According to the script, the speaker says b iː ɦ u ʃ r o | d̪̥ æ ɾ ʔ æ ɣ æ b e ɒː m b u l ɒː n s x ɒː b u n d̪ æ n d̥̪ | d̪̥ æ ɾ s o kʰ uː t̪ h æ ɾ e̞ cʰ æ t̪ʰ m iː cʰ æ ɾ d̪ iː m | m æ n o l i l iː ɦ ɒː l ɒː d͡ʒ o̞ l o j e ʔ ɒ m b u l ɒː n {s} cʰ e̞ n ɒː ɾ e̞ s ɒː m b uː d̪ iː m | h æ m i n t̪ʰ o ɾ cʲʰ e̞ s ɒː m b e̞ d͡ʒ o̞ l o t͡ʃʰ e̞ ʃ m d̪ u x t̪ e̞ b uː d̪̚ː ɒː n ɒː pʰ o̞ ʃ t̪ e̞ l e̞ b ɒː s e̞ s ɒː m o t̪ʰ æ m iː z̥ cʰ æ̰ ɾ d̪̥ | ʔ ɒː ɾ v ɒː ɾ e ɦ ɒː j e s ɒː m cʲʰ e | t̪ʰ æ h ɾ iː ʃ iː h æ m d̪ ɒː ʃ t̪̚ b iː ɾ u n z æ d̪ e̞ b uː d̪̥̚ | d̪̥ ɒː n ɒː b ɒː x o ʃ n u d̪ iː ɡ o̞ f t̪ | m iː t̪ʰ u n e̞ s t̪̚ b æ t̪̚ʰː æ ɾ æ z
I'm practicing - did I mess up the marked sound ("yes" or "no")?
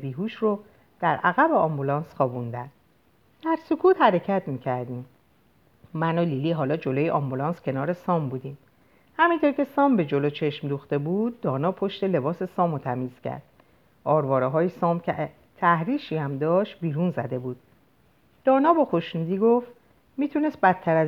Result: no